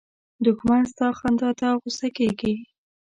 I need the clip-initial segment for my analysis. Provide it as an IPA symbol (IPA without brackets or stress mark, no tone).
d̪